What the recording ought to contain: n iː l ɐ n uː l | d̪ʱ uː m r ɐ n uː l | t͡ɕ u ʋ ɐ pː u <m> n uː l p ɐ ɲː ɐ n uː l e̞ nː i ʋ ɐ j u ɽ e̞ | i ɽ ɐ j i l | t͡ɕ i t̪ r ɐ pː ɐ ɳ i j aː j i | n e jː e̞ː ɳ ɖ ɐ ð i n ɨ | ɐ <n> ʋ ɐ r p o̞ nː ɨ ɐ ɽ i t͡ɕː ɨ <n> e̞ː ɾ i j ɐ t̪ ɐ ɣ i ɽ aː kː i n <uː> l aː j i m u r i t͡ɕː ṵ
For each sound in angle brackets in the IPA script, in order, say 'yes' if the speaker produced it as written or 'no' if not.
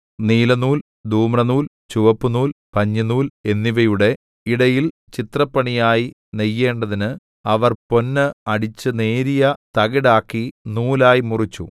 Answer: no, no, yes, yes

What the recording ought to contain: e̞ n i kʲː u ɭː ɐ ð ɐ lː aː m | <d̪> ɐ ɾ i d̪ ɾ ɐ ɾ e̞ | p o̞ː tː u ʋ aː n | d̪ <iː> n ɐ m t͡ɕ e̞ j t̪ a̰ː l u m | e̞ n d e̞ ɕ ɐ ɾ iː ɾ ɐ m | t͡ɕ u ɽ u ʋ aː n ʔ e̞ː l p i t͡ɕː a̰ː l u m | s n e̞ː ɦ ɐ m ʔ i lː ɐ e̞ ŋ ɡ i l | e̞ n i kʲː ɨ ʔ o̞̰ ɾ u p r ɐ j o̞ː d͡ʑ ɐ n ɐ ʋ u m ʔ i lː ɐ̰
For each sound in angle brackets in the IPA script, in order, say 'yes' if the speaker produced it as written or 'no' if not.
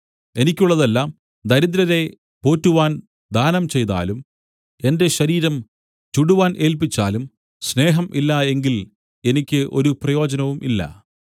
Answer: yes, no

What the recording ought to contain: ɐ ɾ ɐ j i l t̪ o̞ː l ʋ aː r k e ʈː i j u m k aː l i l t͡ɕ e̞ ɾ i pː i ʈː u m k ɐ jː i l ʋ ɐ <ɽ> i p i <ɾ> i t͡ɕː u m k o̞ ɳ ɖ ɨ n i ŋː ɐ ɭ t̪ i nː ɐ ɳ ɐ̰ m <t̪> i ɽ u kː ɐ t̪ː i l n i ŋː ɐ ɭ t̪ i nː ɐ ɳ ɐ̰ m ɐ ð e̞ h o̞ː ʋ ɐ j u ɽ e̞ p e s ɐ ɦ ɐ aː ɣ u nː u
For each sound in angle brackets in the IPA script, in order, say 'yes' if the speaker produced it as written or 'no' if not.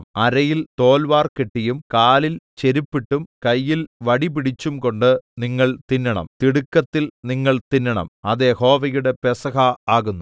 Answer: yes, no, yes

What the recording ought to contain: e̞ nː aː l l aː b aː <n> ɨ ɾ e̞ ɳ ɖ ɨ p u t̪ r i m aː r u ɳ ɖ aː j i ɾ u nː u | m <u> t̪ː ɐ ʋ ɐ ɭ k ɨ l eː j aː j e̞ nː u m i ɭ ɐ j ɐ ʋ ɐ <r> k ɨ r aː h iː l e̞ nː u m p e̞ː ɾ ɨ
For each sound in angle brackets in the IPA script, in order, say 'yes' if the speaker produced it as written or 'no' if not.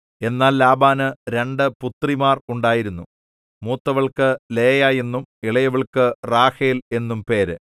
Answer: yes, no, no

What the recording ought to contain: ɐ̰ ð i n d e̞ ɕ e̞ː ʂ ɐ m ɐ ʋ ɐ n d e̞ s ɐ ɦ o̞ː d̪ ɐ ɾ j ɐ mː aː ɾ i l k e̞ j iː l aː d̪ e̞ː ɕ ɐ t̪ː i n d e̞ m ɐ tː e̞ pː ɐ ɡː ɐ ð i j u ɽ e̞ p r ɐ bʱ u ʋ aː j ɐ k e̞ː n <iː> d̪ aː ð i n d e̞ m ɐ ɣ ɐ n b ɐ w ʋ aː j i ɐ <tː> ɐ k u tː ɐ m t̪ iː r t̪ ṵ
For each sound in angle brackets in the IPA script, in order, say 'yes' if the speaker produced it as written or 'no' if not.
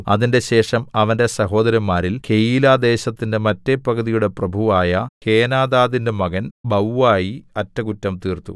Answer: no, yes

